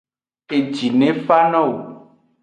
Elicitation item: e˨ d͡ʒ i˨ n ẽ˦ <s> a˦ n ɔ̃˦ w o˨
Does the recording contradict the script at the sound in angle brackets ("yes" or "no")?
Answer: yes